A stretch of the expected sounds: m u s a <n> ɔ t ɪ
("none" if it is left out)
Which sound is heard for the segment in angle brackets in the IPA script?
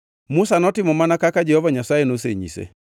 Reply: n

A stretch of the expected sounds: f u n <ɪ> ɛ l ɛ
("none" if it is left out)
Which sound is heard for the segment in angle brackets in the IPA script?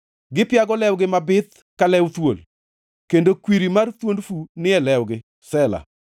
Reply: ɪ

